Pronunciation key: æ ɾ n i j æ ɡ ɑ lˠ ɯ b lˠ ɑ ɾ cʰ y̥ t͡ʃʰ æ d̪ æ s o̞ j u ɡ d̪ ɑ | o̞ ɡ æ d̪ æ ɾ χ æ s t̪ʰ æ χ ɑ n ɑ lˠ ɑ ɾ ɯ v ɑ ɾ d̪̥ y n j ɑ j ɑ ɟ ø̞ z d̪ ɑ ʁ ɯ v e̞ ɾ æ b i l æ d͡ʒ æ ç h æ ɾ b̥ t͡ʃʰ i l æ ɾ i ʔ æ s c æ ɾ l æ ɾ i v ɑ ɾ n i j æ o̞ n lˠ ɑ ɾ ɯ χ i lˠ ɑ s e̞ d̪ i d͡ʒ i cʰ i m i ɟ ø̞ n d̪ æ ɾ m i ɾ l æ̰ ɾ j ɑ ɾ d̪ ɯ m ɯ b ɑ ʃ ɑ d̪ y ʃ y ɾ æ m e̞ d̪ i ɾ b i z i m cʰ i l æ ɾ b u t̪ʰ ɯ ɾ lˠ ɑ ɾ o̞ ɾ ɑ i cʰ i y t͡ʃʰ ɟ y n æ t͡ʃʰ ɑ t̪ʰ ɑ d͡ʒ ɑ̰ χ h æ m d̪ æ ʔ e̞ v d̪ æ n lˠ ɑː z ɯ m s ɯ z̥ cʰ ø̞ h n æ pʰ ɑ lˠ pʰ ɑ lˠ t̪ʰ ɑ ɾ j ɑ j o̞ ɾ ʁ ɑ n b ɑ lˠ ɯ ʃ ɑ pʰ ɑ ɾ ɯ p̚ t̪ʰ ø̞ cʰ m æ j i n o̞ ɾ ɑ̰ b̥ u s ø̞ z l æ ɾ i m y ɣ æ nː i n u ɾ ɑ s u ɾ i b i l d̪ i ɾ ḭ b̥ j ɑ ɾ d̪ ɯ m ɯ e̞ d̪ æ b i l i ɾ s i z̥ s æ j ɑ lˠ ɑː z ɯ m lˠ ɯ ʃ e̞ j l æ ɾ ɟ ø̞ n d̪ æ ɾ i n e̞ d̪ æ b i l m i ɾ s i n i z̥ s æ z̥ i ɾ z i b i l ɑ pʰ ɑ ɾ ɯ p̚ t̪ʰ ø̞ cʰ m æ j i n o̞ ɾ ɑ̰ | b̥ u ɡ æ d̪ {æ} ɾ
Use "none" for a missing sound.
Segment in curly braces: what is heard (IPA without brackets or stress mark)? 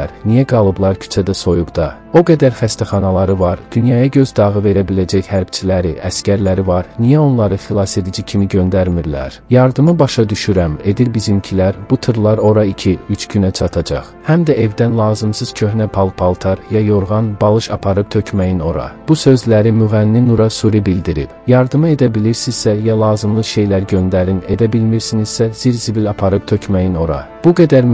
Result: æ